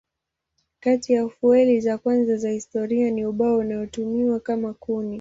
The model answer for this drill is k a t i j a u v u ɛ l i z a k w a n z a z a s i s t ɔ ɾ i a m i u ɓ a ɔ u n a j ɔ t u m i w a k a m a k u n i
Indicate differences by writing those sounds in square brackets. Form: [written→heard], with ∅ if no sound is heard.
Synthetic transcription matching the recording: k a t i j a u [v→f] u ɛ l i z a k w a n z a z a [s→h] i s t ɔ ɾ i a [m→n] i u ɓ a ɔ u n a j ɔ t u m i w a k a m a k u n i